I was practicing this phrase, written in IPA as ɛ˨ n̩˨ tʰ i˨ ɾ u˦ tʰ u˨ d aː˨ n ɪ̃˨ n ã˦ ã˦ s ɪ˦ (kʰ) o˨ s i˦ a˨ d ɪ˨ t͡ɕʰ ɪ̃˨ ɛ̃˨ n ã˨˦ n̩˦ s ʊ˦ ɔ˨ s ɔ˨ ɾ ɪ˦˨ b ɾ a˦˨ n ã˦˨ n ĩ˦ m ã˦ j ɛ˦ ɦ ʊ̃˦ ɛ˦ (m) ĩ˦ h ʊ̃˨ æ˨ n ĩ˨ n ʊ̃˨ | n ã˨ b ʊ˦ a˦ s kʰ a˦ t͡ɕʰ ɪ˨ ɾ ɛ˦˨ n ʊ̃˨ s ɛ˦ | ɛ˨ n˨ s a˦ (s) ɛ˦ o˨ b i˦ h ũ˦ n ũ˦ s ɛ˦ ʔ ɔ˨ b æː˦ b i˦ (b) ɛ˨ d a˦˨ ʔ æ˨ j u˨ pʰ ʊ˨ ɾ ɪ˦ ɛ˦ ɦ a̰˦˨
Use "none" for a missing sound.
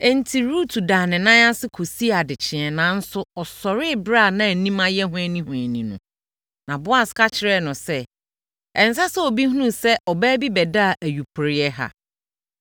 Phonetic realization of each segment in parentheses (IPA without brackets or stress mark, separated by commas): kʰ, n, s, b